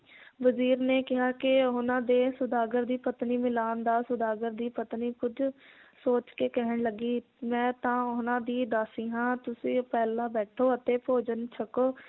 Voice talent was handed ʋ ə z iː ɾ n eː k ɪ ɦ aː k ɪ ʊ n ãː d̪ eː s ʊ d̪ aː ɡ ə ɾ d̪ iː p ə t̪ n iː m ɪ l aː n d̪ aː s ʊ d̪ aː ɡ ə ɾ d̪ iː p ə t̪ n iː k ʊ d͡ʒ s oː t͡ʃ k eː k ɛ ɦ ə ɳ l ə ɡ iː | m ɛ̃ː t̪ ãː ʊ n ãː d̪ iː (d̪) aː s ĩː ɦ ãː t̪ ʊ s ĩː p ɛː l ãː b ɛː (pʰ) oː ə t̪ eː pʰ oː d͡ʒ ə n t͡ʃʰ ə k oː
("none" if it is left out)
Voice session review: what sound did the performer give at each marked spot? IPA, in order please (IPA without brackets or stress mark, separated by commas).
d̪, ʈʰ